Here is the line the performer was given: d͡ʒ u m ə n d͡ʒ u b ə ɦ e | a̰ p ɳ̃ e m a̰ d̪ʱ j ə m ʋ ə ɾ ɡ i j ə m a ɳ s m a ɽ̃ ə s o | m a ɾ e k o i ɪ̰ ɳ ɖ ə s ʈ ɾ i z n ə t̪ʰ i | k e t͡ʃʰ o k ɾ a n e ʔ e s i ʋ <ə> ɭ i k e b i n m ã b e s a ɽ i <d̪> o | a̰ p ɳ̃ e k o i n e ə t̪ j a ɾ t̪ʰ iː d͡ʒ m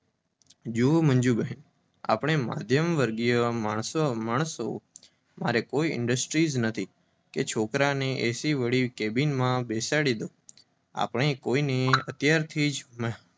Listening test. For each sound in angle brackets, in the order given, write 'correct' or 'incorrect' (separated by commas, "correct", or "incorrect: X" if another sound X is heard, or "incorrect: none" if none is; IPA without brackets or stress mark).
correct, correct